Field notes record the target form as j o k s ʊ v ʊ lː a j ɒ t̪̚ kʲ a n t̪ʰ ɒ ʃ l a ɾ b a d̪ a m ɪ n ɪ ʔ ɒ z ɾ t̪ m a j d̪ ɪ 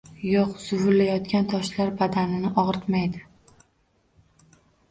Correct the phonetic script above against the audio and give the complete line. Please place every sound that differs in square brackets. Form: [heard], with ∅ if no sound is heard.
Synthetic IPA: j o [q] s ʊ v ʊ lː a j ɒ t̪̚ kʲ a n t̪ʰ ɒ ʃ l a ɾ b a d̪ a [n] ɪ n ɪ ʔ ɒ [ʁ] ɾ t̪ m a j d̪ ɪ